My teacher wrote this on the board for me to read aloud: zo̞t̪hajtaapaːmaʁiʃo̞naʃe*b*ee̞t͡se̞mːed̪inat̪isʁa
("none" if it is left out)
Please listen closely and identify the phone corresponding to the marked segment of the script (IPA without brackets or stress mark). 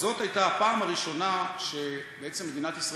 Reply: b